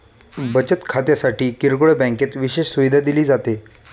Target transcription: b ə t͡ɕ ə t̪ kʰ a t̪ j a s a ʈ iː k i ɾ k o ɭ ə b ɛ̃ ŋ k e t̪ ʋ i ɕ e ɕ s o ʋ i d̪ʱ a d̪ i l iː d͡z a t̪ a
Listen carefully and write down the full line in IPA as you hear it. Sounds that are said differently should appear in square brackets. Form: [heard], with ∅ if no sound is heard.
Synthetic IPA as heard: b ə t͡ɕ ə t̪ kʰ a t̪ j a s a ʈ iː k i ɾ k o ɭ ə b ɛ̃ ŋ k e t̪ ʋ i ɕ e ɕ s [u] ʋ i d̪ʱ a d̪ i l iː d͡z a t̪ [e]